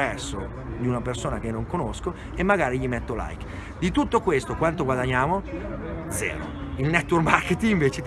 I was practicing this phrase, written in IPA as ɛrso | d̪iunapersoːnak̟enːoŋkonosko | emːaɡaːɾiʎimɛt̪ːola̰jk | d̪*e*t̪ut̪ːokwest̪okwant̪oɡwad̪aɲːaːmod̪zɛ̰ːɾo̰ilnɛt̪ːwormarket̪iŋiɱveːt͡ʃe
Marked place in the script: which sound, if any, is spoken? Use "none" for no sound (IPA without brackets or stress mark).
i